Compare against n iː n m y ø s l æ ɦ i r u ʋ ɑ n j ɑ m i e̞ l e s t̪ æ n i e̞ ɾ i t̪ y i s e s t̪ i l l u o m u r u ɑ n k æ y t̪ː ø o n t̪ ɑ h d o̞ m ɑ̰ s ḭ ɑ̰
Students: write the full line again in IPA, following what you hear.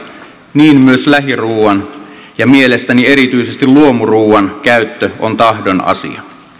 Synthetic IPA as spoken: n iː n m y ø s l æ ɦ i r uː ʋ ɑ n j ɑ m i e̞ l e s t̪ æ n i e̞ ɾ i t̪ y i s e s t̪ i l l u o m u r uː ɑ n k æ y t̪ː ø o n t̪ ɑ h d o̞ n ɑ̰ s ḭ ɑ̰